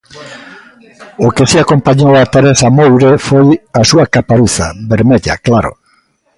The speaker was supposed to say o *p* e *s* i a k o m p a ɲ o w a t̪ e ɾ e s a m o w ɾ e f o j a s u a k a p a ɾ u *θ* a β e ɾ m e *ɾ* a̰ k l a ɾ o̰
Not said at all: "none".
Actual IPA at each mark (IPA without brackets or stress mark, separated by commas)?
k, s, θ, ʎ